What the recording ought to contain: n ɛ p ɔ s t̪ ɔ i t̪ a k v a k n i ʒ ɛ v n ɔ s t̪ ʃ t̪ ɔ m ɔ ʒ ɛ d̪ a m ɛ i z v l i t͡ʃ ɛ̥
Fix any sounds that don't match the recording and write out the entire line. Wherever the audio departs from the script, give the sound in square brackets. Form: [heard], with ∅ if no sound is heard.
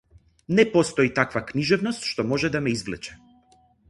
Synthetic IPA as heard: n ɛ p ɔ s t̪ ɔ i t̪ a k v a k n i ʒ ɛ v n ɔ s t̪ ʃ t̪ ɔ m ɔ ʒ ɛ d̪ a m ɛ i z v l [ɛ] t͡ʃ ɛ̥